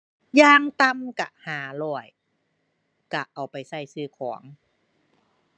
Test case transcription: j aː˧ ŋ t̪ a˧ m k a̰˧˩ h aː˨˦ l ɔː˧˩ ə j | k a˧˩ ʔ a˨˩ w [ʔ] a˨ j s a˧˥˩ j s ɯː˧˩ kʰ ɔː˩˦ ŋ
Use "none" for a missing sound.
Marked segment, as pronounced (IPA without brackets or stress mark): p